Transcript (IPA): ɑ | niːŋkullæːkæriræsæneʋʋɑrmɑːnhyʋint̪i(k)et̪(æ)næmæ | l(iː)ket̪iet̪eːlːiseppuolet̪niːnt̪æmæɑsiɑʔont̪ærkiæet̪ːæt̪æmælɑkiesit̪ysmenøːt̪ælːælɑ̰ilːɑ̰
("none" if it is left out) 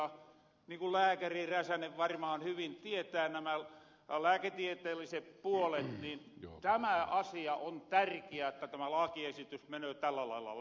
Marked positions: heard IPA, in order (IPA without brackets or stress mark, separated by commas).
none, æː, æː